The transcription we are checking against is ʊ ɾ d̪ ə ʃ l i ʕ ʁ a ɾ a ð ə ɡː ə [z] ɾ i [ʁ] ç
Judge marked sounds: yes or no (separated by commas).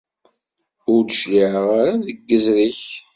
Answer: yes, no